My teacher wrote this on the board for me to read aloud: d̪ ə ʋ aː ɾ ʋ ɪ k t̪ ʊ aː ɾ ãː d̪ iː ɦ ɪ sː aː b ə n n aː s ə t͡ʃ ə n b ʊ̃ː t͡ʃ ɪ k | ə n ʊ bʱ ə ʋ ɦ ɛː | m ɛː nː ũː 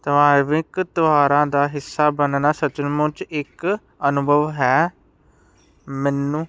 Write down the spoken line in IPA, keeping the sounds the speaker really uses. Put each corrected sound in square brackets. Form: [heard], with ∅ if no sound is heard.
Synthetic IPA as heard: [t̪] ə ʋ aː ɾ ʋ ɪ k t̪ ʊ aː ɾ ãː d̪ [aː] ɦ ɪ sː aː b ə n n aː s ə t͡ʃ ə n [m] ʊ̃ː t͡ʃ ɪ k | ə n ʊ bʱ ə ʋ ɦ ɛː | m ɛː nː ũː

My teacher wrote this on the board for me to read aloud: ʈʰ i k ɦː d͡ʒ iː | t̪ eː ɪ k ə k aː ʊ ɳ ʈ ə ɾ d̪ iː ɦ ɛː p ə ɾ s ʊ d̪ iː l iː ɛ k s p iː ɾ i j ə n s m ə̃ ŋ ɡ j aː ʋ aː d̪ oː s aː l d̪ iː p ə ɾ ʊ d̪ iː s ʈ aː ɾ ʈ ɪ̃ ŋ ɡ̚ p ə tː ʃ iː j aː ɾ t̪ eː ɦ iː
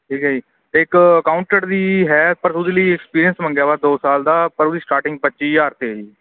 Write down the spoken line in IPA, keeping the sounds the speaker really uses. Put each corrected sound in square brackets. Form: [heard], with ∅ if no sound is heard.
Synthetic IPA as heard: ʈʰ [iː] k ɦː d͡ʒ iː | t̪ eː ɪ k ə k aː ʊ ɳ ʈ ə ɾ d̪ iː ɦ ɛː p ə ɾ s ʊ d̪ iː l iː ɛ k s p iː ɾ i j ə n s m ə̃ ŋ ɡ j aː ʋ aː d̪ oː s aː l d̪ [aː] p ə ɾ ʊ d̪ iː s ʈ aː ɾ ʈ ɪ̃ ŋ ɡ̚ p ə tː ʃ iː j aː ɾ t̪ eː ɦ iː

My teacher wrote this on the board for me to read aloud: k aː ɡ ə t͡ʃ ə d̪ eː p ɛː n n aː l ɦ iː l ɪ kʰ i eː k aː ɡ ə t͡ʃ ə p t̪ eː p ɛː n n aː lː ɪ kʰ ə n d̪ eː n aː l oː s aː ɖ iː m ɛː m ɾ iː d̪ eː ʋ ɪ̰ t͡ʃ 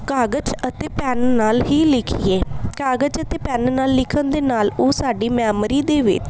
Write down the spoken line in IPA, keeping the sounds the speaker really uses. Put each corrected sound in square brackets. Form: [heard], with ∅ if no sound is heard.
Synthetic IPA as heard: k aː ɡ ə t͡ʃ ə [t̪] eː p ɛː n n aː l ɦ iː l ɪ kʰ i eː k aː ɡ ə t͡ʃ ə [∅] t̪ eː p ɛː n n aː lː ɪ kʰ ə n d̪ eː n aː l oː s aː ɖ iː m ɛː m ɾ iː d̪ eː ʋ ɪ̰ t͡ʃ

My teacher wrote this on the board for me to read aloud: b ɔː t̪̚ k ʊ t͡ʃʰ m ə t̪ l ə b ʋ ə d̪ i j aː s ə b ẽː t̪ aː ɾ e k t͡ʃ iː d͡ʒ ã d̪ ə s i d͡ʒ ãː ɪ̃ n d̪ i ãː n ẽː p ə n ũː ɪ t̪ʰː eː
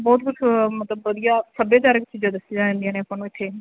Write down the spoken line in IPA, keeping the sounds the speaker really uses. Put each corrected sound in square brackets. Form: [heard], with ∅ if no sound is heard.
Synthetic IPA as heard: b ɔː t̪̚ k ʊ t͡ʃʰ m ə t̪ l ə b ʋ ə d̪ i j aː s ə b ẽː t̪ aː ɾ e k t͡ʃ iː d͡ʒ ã d̪ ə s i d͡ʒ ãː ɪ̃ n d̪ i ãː n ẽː p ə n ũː ɪ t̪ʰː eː

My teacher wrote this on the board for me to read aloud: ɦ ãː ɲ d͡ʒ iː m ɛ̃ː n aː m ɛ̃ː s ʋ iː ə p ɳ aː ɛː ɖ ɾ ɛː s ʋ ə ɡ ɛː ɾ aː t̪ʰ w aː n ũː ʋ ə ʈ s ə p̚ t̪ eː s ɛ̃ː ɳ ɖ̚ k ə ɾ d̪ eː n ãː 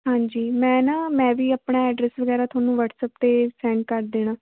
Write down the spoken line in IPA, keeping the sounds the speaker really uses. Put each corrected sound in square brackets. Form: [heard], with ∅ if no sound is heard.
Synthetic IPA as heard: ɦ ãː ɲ d͡ʒ iː m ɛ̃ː n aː m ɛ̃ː [∅] ʋ iː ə p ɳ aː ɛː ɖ ɾ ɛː s ʋ ə ɡ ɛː ɾ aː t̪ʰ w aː n ũː ʋ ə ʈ s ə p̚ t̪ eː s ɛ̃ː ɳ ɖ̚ k ə ɾ d̪ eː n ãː

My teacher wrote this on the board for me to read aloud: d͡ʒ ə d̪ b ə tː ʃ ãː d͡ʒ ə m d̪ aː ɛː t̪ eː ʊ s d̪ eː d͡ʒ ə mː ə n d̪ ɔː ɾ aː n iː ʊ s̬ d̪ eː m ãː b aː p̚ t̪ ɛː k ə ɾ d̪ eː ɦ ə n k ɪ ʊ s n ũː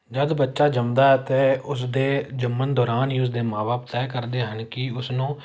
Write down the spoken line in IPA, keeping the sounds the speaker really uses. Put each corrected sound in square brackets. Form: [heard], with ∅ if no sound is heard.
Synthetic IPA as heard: d͡ʒ ə d̪ b ə tː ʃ [aː] d͡ʒ ə m d̪ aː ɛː t̪ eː ʊ s d̪ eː d͡ʒ ə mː ə n d̪ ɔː ɾ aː n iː ʊ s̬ d̪ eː m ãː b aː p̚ t̪ ɛː k ə ɾ d̪ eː ɦ ə n k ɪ ʊ s n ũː

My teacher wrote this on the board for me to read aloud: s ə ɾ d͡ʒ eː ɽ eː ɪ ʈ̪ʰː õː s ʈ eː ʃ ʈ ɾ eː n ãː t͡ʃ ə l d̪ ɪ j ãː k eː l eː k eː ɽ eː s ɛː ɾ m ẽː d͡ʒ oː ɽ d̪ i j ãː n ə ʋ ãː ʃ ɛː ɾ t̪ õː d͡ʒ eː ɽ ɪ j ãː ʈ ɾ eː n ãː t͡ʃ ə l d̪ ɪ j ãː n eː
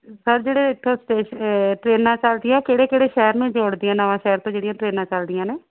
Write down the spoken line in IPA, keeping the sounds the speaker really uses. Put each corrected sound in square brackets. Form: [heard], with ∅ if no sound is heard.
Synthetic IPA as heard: s ə ɾ d͡ʒ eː ɽ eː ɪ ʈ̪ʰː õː s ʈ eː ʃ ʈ ɾ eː n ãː t͡ʃ ə l d̪ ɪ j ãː k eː [ɽ] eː k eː ɽ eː [ʃ] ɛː ɾ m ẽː d͡ʒ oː ɽ d̪ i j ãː n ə ʋ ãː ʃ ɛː ɾ t̪ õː d͡ʒ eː ɽ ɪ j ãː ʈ ɾ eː n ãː t͡ʃ ə l d̪ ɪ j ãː n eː

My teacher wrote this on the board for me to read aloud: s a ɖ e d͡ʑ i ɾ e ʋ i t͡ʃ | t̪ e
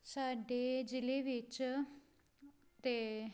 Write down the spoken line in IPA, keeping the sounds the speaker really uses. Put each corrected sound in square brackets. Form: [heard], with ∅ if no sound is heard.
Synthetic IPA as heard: s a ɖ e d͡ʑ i [l] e ʋ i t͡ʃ | t̪ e

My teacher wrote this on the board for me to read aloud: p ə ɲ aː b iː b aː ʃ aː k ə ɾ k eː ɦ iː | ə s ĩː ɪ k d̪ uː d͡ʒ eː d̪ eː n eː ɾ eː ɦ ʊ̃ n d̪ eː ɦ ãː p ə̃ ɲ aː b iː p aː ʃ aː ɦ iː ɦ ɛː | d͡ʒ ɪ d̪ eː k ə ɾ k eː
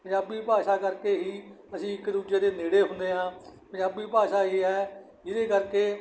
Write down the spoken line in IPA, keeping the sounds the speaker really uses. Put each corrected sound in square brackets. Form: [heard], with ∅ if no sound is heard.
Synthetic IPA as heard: p ə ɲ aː b iː [p] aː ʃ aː k ə ɾ k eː ɦ iː | ə s ĩː ɪ k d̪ uː d͡ʒ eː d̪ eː n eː [ɽ] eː ɦ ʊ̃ n d̪ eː ɦ ãː p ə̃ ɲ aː b iː p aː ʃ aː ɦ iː ɦ ɛː | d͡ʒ ɪ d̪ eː k ə ɾ k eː

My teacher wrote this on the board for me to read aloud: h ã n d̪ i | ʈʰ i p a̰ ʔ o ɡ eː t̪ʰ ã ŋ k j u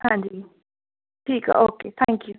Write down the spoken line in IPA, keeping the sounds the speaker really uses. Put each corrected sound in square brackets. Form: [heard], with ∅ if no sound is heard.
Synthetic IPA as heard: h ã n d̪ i | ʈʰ i [k] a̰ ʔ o [k] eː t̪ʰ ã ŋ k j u

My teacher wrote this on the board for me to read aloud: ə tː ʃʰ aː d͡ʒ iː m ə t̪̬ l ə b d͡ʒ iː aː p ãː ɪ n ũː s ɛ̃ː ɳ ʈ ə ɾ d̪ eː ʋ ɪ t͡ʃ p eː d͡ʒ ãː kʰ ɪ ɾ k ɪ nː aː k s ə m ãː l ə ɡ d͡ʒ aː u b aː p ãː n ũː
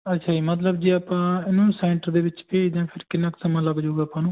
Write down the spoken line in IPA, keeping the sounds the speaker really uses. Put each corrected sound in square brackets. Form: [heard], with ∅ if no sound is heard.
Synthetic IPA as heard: ə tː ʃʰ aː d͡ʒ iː m ə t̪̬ l ə b d͡ʒ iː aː p ãː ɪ n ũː s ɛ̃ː ɳ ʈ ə ɾ d̪ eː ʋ ɪ t͡ʃ p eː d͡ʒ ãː [pʰ] ɪ ɾ k ɪ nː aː k s ə m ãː l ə ɡ d͡ʒ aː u [ɡ] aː p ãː n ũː

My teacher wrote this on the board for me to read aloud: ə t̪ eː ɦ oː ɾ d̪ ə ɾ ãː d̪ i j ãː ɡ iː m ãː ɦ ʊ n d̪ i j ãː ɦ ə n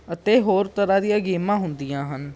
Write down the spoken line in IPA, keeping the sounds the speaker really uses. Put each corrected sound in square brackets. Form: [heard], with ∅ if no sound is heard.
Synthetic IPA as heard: ə t̪ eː ɦ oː ɾ [t̪] ə ɾ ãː d̪ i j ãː ɡ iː m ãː ɦ ʊ n d̪ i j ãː ɦ ə n

